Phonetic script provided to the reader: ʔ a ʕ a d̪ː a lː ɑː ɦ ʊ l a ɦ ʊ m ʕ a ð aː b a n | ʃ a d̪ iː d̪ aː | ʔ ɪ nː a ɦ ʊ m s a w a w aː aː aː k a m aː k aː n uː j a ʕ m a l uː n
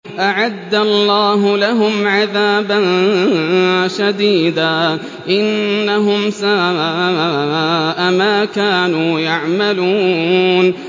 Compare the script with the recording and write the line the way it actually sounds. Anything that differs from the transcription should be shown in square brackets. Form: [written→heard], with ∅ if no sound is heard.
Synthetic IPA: ʔ a ʕ a d̪ː a lː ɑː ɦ ʊ l a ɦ ʊ m ʕ a ð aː b a n | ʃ a d̪ iː d̪ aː | ʔ ɪ nː a ɦ ʊ m s a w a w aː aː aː [k→ʔ] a m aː k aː n uː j a ʕ m a l uː n